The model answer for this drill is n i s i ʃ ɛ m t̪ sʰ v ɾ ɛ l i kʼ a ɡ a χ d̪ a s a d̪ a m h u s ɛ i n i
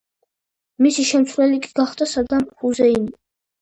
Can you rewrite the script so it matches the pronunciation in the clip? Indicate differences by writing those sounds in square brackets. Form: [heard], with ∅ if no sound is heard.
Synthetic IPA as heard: [m] i s i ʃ ɛ m t̪ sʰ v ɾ ɛ l i kʼ [i] ɡ a χ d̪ a s a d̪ a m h u [z] ɛ i n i